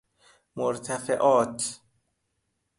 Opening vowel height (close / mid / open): mid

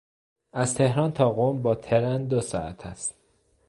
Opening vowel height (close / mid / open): open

